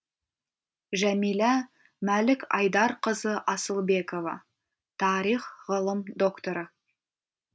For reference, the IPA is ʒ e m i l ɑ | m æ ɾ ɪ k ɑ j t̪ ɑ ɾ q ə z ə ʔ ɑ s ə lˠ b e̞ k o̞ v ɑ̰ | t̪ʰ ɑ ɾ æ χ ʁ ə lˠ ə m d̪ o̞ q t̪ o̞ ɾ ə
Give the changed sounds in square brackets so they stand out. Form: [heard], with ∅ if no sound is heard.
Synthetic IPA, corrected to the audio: ʒ [æ] m i l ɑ | m æ [l] ɪ k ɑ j [d̪] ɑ ɾ q ə z ə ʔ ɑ s ə lˠ b e̞ k o̞ v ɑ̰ | t̪ʰ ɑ ɾ [i] χ ʁ ə lˠ ə m d̪ o̞ [k] t̪ o̞ ɾ ə

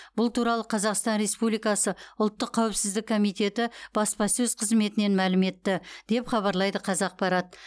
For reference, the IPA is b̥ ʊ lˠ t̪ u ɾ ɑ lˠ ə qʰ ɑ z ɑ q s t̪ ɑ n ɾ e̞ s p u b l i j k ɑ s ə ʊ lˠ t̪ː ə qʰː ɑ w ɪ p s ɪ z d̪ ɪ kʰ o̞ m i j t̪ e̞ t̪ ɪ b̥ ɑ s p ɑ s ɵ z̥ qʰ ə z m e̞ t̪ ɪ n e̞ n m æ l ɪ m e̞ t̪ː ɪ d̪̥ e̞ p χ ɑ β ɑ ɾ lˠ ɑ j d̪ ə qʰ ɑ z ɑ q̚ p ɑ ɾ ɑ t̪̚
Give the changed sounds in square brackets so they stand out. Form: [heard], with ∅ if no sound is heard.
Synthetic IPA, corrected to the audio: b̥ ʊ lˠ t̪ u ɾ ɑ lˠ ə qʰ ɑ z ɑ q s t̪ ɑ n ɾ e̞ s p u b l i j k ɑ s ə ʊ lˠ t̪ː ə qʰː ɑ w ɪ p s ɪ z d̪ ɪ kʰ o̞ m i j t̪ e̞ t̪ ɪ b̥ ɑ s p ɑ s ɵ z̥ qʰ ə z m e̞ t̪ ɪ n e̞ n m æ l ɪ m e̞ t̪ː ɪ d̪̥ e̞ p χ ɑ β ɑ ɾ lˠ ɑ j d̪ ə qʰ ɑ z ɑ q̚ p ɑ ɾ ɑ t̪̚

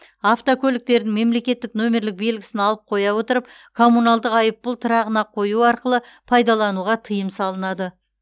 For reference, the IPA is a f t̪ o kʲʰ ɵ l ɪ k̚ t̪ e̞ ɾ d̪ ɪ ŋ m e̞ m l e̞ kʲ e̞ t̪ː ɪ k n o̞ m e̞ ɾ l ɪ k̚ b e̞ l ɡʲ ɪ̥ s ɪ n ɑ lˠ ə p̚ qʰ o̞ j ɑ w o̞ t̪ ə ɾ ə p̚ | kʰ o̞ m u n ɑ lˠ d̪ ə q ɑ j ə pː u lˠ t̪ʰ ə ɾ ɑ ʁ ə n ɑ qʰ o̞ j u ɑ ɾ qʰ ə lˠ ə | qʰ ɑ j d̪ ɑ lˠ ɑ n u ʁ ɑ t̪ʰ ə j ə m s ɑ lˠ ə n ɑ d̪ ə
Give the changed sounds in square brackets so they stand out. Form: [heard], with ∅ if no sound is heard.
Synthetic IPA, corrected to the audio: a f t̪ o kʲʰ ɵ l ɪ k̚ t̪ e̞ ɾ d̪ ɪ ŋ m e̞ m l e̞ kʲ e̞ t̪ː ɪ k n o̞ m e̞ ɾ l ɪ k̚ b e̞ l ɡʲ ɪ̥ s ɪ n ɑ lˠ ə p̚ qʰ o̞ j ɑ w o̞ t̪ ə ɾ ə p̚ | kʰ o̞ m u n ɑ lˠ d̪ ə q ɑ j ə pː [ʊ] lˠ t̪ʰ ə ɾ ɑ ʁ ə n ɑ qʰ o̞ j u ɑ ɾ [q] ə lˠ ə | [pʰ] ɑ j d̪ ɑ lˠ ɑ n u ʁ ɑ t̪ʰ ə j ə m s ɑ lˠ ə n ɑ d̪ ə

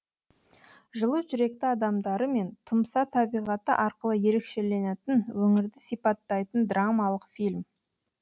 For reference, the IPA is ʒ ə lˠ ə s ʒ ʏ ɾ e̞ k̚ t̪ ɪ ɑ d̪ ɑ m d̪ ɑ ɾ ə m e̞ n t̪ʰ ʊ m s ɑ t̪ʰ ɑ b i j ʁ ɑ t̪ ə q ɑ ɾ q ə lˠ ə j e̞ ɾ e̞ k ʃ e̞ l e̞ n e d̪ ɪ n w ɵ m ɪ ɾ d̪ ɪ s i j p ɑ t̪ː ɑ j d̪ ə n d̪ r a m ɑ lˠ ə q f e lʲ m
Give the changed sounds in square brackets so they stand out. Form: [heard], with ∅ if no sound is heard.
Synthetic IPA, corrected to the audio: ʒ ə lˠ ə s ʒ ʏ ɾ e̞ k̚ t̪ ɪ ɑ d̪ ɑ m d̪ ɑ ɾ ə m e̞ n t̪ʰ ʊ m s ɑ t̪ʰ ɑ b i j ʁ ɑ t̪ ə [ʔ] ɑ ɾ q ə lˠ ə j e̞ ɾ e̞ k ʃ e̞ l e̞ n e [t̪] ɪ n w ɵ [ŋ] ɪ ɾ d̪ ɪ s i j p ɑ t̪ː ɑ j [t̪] ə n d̪ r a m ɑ lˠ ə q f [i] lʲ m

